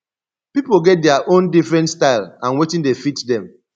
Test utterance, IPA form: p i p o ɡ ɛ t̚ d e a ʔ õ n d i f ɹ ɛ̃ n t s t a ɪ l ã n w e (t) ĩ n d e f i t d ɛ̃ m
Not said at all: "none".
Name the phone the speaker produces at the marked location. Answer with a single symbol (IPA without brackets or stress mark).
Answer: t